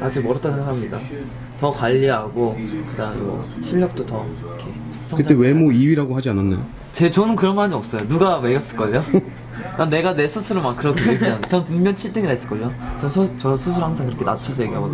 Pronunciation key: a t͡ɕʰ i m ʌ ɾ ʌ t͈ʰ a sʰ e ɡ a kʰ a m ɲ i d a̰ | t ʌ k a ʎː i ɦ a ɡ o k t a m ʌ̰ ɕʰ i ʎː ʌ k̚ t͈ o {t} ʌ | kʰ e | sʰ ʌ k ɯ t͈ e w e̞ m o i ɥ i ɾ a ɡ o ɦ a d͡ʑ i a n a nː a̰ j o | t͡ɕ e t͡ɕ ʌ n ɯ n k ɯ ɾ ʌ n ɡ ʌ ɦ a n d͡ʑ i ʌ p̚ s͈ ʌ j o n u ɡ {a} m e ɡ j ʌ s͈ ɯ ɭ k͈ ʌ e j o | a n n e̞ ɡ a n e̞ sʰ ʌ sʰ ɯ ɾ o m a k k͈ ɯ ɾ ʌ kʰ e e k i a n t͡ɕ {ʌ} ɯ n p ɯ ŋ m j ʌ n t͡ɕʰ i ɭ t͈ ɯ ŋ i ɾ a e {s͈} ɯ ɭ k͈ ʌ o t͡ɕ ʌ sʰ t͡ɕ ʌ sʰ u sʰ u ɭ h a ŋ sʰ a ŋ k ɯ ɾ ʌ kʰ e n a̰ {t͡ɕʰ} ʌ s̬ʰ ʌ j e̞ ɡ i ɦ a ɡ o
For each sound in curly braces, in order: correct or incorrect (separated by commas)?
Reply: correct, correct, correct, correct, correct